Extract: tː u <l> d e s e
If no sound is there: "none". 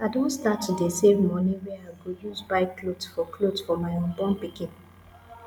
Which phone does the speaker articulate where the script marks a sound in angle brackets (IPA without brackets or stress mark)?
none